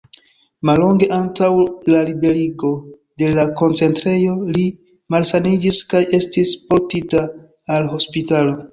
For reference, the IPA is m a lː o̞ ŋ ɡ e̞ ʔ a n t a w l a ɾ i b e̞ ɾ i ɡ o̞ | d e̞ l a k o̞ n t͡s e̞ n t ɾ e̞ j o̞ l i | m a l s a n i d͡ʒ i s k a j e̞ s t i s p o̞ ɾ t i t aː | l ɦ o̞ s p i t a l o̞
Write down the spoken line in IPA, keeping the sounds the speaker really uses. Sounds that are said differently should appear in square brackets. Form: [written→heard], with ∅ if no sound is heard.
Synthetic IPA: m a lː o̞ ŋ ɡ e̞ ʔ a n t a w l a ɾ i b e̞ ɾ i ɡ o̞ | d e̞ l a k o̞ n t͡s e̞ n t ɾ e̞ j o̞ l i | m a l s a n i d͡ʒ i s k a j e̞ s t i s p o̞ ɾ t i t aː | l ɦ o̞ s p i t a l o̞